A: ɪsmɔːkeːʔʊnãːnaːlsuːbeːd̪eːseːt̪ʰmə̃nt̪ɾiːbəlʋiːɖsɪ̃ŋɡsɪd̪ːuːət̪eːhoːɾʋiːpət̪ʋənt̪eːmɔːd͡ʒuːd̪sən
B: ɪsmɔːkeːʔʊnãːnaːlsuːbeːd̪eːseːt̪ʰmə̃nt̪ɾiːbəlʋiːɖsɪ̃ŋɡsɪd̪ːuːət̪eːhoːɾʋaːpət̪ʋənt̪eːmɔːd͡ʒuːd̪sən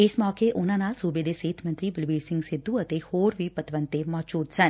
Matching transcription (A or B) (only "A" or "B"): A